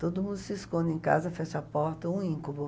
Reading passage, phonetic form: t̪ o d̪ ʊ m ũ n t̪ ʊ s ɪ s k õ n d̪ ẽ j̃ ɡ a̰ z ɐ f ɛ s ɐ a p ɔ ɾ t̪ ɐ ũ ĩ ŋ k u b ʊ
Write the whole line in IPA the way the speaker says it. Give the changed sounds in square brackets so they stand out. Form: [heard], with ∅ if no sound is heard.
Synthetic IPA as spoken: t̪ o d̪ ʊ m ũ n [d̪] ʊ s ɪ s k õ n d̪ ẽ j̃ [k] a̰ z ɐ f ɛ [ʃ] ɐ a p ɔ ɾ t̪ ɐ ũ ĩ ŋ k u b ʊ